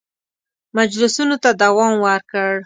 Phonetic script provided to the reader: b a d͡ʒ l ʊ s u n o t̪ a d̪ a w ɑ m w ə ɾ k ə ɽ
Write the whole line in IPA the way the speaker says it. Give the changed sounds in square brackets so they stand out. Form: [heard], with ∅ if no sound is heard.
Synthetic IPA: [m] a d͡ʒ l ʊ s u n o t̪ a d̪ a w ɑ m w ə ɾ k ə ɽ